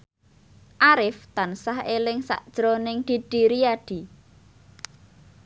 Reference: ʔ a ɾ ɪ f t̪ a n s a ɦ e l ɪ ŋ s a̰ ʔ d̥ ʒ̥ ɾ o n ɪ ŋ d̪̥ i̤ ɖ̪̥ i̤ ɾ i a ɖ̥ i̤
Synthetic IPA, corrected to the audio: ʔ a ɾ ɪ f t̪ a n s a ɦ e l ɪ ŋ s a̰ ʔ d̥ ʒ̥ ɾ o n ɪ ŋ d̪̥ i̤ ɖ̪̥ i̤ ɾ i a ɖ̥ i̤